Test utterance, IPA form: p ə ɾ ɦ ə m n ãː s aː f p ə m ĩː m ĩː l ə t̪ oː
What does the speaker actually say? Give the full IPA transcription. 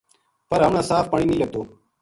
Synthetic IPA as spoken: p ə ɾ ɦ ə m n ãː s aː f p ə ɳ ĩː n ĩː l ə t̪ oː